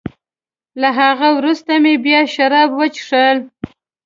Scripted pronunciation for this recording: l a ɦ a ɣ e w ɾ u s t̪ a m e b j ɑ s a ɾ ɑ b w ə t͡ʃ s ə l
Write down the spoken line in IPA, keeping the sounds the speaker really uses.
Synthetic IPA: l a ɦ a ɣ a w ɾ u s t̪ a m e b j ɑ ʃ a ɾ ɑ b w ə t͡ʃ ʂ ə l